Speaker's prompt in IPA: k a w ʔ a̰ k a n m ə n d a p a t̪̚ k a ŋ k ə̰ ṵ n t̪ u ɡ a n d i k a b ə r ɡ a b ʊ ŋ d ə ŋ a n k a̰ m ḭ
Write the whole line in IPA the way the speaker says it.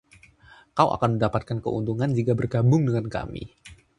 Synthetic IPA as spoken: k a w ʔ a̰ k a n m ə n d a p a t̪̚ k a n k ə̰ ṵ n t̪ u ŋ a n d͡ʒ i k a b ə r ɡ a b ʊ ŋ d ə ŋ a n k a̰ m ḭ